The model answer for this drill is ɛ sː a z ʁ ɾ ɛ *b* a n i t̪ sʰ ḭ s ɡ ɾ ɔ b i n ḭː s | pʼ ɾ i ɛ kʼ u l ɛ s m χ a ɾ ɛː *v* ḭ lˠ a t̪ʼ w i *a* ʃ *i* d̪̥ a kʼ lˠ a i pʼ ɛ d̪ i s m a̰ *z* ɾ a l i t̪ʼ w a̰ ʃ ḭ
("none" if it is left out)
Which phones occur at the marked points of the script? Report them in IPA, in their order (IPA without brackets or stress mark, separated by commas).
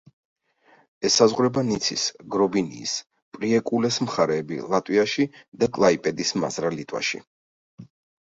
b, b, a, i, z